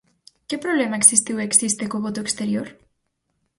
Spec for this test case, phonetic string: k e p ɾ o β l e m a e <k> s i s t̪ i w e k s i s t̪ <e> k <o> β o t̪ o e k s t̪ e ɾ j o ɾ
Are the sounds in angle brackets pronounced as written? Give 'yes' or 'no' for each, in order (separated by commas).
yes, yes, yes